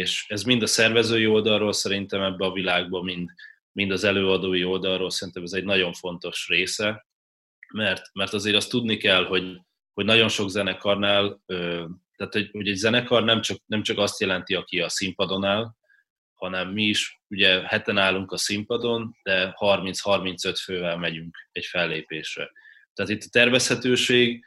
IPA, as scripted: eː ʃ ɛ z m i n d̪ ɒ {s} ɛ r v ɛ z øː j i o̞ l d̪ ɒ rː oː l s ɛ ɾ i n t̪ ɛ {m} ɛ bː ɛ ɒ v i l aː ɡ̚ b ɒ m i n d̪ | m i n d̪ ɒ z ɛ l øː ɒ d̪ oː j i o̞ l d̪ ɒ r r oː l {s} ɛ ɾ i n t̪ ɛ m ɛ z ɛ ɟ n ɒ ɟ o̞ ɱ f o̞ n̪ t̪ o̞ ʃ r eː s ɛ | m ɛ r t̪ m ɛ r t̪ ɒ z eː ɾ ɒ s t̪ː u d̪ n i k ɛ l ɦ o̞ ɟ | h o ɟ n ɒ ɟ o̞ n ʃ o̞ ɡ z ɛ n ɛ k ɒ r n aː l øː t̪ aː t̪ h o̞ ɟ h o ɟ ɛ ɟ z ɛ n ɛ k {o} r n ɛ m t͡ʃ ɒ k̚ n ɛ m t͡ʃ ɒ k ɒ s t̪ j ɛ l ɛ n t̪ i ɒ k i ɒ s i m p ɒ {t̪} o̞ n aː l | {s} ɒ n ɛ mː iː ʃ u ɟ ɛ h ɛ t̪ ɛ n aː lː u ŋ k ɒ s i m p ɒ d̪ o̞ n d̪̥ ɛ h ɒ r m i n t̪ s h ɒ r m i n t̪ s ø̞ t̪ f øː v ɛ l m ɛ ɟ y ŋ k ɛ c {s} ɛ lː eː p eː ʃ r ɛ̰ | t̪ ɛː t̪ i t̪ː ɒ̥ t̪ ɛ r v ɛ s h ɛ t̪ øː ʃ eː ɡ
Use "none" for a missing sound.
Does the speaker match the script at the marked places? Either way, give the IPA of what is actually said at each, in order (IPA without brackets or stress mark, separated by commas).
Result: s, m, s, ɒ, d̪, h, f